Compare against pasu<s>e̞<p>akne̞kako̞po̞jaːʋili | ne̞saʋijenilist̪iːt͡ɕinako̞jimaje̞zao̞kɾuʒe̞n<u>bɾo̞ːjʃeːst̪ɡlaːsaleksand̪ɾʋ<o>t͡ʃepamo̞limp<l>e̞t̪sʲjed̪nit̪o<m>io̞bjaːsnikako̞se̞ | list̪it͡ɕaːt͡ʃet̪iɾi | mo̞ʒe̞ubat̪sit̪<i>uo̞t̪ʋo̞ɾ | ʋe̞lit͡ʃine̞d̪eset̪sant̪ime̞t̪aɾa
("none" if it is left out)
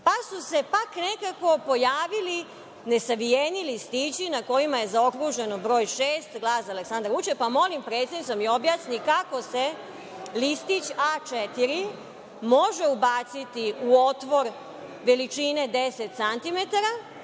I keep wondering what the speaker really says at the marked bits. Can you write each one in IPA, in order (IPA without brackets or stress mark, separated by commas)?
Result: s, p, o, u, ɾ, m, i